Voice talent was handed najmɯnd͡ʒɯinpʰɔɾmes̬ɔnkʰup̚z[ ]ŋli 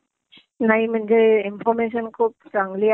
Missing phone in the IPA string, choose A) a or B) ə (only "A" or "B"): A